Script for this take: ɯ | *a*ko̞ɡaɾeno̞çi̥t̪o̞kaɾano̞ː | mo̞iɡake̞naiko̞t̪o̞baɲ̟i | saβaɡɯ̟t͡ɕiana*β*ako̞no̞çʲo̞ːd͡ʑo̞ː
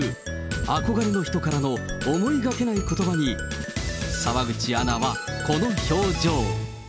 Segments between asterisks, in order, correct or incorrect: correct, correct

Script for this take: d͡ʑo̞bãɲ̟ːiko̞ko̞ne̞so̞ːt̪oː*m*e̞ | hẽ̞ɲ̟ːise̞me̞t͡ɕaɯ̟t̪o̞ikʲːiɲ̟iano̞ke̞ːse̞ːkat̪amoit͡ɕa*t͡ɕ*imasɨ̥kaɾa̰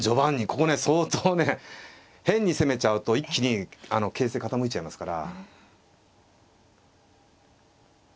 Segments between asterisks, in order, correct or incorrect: incorrect, incorrect

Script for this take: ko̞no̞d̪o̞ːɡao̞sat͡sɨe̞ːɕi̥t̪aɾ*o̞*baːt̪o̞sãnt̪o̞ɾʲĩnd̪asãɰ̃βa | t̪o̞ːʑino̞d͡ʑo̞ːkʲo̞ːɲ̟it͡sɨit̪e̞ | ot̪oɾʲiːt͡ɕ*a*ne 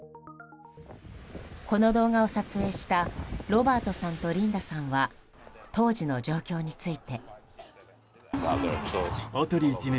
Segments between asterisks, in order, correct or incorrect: correct, incorrect

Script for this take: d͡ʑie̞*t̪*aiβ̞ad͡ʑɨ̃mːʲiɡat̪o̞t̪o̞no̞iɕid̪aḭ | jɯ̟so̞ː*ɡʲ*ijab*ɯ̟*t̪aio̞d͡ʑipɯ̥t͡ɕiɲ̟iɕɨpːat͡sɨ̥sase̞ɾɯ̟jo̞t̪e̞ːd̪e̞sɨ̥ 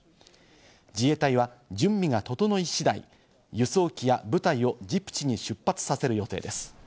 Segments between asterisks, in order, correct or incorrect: correct, incorrect, correct

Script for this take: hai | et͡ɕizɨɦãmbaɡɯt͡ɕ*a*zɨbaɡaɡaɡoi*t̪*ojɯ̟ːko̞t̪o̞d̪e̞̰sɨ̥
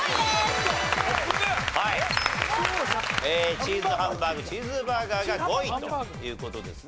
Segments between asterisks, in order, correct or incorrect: incorrect, correct

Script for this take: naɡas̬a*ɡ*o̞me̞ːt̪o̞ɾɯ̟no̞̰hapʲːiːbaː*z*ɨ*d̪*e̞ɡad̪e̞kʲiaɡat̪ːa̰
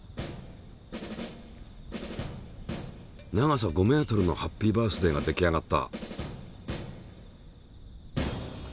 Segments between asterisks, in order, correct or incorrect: correct, incorrect, correct

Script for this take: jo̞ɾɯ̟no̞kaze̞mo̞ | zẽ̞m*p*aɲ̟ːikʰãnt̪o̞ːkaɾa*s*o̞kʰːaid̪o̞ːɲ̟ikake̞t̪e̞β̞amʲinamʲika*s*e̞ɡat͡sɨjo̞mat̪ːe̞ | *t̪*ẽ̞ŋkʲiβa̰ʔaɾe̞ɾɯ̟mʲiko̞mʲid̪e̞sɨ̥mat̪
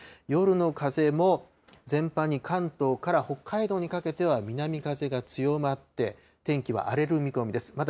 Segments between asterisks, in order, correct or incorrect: correct, incorrect, incorrect, correct

